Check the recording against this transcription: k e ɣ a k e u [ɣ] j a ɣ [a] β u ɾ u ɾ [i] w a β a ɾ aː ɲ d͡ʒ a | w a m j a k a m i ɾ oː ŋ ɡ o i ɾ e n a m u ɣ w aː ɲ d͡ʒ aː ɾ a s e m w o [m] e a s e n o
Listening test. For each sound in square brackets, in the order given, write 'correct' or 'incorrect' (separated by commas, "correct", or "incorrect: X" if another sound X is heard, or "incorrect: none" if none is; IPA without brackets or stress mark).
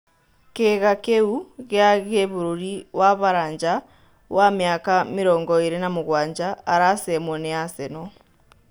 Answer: correct, incorrect: e, correct, incorrect: n